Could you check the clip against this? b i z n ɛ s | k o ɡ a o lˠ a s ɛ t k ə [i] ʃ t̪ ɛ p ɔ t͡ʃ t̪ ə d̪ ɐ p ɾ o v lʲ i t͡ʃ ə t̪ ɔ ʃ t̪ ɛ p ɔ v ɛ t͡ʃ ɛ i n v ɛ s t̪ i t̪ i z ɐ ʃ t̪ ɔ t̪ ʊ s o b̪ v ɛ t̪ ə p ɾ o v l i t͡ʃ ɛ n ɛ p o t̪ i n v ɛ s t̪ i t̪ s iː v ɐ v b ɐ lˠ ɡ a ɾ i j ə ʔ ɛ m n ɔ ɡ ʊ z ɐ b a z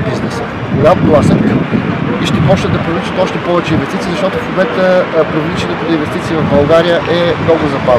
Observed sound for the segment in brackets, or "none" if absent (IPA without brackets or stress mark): i